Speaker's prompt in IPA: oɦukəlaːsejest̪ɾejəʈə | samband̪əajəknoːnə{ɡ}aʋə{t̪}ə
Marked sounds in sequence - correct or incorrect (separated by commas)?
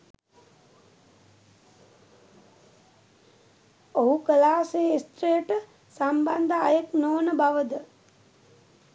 incorrect, incorrect